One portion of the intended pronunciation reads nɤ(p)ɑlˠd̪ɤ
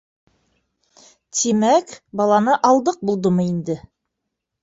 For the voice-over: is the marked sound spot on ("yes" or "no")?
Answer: no